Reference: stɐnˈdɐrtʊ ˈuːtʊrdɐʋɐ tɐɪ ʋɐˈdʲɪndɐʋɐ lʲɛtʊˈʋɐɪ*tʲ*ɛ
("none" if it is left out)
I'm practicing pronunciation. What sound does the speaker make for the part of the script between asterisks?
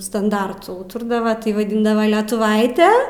tʲ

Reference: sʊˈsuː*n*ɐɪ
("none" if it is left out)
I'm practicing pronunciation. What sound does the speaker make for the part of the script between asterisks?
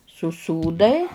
d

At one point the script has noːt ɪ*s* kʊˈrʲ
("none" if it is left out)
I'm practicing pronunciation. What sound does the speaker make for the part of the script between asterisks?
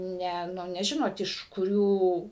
ʃ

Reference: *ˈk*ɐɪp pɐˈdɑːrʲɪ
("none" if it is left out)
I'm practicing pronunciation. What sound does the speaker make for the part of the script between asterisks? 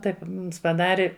t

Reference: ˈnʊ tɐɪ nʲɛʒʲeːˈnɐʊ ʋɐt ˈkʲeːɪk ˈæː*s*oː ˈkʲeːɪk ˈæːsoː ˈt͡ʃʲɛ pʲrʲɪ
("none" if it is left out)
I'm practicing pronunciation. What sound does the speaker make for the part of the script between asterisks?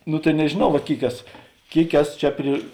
s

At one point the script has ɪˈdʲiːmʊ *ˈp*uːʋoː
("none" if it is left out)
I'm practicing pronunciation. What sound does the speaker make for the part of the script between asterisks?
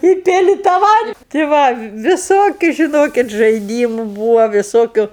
b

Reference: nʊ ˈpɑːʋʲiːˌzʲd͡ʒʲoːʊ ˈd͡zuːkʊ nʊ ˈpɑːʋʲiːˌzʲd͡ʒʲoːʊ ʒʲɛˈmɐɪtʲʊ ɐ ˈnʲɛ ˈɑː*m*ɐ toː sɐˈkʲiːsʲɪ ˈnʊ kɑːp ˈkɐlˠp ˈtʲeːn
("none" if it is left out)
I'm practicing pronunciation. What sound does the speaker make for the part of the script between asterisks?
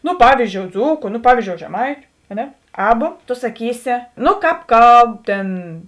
b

